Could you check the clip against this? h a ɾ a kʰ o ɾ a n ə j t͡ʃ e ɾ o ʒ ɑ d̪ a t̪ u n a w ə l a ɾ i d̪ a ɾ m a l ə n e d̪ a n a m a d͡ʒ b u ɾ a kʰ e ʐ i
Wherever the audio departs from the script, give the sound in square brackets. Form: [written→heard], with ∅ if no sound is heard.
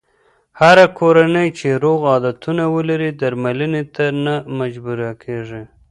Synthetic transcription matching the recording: h a ɾ a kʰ o ɾ a n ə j t͡ʃ e ɾ o [ʒ→ɣ] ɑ d̪ a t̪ u n a w ə l a ɾ i d̪ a ɾ m a l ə n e [d̪→t̪] a n a m a d͡ʒ b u ɾ a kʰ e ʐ i